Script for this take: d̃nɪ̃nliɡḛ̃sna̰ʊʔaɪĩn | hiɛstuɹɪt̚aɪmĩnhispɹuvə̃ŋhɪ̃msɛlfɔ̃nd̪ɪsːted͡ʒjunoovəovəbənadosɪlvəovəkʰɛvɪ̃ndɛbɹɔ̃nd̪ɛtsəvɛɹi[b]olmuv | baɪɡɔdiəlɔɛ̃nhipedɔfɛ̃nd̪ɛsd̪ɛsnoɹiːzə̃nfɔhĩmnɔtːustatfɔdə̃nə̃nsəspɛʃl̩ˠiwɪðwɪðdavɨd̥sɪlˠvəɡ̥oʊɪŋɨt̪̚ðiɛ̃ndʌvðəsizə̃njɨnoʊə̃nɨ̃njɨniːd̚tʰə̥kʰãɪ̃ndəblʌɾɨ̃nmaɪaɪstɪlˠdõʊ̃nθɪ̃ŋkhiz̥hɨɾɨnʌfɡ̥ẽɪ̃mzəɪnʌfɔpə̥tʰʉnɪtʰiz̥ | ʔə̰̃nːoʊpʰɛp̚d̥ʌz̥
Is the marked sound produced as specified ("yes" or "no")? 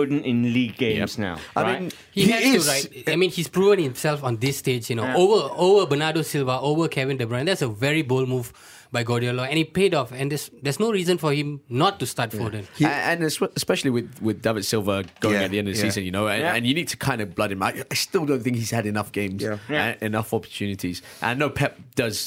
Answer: yes